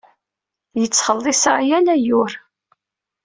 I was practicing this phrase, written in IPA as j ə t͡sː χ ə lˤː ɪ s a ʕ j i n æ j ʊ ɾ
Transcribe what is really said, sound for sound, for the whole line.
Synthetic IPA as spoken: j ə t͡sː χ ə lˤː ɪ s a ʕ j æ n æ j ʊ ɾ

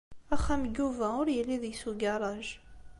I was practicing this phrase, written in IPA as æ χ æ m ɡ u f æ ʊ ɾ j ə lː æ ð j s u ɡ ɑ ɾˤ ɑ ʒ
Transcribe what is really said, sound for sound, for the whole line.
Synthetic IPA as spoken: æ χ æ m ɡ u v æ ʊ ɾ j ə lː i ð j s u ɡ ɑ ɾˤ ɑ ʒ

